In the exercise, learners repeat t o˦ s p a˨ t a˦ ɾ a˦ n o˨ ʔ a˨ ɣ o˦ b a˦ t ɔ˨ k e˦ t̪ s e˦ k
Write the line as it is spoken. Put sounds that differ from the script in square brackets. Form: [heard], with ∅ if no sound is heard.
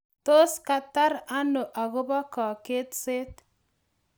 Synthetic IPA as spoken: t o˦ s [k] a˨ t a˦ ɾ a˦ n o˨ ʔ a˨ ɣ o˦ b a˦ [k] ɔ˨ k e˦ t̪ s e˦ [t]